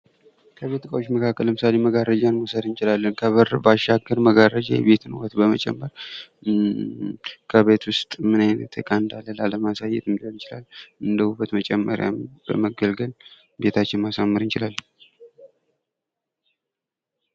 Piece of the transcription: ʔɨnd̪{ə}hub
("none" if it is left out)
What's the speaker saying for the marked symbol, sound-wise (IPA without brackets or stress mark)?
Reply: ə